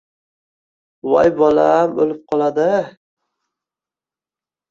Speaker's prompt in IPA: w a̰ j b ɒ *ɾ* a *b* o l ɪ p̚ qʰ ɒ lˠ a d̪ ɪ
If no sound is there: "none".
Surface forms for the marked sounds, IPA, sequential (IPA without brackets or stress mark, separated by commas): l, m